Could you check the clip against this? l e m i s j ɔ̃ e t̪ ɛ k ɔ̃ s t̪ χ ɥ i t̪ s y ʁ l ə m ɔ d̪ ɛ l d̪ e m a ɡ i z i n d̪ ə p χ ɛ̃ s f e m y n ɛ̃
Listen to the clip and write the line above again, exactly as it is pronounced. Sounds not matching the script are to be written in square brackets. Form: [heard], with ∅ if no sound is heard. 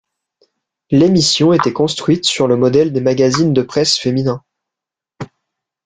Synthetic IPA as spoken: l e m i s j ɔ̃ e t̪ ɛ k ɔ̃ s t̪ χ ɥ i t̪ s y ʁ l ə m ɔ d̪ ɛ l d̪ e m a ɡ [a] z i n d̪ ə p χ [ɛ] s f e m [i] n ɛ̃